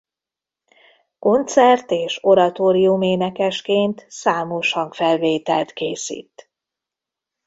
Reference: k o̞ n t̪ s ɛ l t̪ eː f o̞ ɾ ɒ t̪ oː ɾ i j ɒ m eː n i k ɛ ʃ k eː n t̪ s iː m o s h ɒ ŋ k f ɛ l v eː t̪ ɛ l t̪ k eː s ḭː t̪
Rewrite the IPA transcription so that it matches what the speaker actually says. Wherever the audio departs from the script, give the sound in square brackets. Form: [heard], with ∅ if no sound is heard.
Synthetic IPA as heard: k o̞ n t̪ s ɛ [r] t̪ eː [ʃ] o̞ ɾ ɒ t̪ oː ɾ i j [u] m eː n [ɛ] k ɛ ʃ k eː n t̪ s [aː] m o [ʃ] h ɒ ŋ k f ɛ l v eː t̪ ɛ l t̪ k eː s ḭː t̪

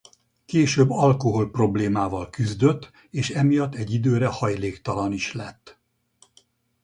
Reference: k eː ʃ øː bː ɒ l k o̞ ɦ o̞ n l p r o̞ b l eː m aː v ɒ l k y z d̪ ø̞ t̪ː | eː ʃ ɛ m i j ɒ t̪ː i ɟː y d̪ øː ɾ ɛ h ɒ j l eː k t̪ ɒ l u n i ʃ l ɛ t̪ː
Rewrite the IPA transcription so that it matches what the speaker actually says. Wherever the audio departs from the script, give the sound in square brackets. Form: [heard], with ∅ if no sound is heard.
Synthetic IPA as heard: k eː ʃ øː bː ɒ l k o̞ ɦ o̞ [∅] l p r o̞ b l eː m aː v ɒ l k y z d̪ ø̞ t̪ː | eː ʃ ɛ m i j ɒ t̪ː [ɛ] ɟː [i] d̪ øː ɾ ɛ h ɒ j l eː k t̪ ɒ l [ɒ] n i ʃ l ɛ t̪ː

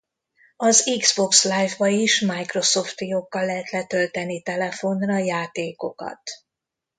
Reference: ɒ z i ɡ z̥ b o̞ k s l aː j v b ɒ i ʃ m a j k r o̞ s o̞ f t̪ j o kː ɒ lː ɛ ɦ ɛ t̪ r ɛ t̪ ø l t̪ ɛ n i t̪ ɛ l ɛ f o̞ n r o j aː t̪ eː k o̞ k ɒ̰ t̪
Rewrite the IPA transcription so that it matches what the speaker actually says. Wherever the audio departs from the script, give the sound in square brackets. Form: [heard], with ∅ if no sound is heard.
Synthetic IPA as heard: ɒ z i ɡ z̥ b o̞ k s l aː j v b ɒ i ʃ m a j k r o̞ s o̞ f t̪ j o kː ɒ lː ɛ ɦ ɛ t̪ [l] ɛ t̪ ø l t̪ ɛ n i t̪ ɛ l ɛ f o̞ n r [ɒ] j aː t̪ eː k o̞ k ɒ̰ t̪

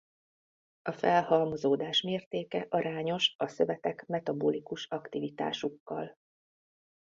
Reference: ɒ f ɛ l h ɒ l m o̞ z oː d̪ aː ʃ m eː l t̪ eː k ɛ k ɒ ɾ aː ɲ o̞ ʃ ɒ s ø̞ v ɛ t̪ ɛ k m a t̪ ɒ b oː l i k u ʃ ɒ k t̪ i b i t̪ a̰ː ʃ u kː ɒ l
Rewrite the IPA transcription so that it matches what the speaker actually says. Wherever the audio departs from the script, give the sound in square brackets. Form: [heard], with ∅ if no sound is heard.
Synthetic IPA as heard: ɒ f ɛ l h ɒ l m o̞ z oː d̪ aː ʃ m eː [r] t̪ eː k ɛ [ʔ] ɒ ɾ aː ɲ o̞ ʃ ɒ s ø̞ v ɛ t̪ ɛ k m [ɛ] t̪ ɒ b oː l i k u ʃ ɒ k t̪ i [v] i t̪ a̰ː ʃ u kː ɒ l

